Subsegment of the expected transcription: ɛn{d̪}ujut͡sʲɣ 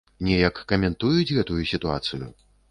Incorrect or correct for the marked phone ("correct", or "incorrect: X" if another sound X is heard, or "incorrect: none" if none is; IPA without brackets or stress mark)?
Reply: incorrect: t̪